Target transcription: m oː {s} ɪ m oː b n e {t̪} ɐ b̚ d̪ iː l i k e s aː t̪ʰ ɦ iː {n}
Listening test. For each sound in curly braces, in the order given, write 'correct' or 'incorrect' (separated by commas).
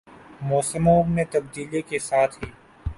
correct, correct, incorrect